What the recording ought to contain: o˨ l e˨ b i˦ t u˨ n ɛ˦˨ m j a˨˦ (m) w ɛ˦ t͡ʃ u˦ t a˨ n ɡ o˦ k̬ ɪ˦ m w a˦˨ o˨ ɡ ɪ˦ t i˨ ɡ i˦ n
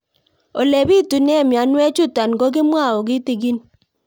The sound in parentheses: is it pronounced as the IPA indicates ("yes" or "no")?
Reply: no